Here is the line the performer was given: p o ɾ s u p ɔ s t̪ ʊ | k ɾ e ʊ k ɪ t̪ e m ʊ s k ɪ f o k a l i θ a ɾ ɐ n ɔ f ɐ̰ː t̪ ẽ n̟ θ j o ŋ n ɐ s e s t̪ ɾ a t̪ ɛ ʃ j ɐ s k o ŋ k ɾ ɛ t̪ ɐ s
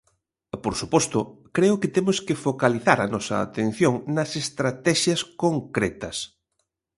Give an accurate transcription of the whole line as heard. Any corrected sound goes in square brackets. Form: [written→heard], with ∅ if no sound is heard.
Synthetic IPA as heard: p o ɾ s u p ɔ s t̪ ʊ | k ɾ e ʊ k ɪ t̪ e m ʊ s k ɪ f o k a l i θ a ɾ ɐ n ɔ [f→s] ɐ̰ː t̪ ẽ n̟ θ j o ŋ n ɐ s e s t̪ ɾ a t̪ ɛ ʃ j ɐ s k o ŋ k ɾ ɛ t̪ ɐ s